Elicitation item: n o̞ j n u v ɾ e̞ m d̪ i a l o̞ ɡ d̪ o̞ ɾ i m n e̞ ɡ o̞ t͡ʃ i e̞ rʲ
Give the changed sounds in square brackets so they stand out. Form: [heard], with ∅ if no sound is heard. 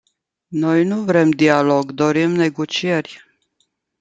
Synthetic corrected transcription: n o̞ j n u v ɾ e̞ m d̪ i a l o̞ ɡ d̪ o̞ ɾ i m n e̞ ɡ o̞ t͡ʃ i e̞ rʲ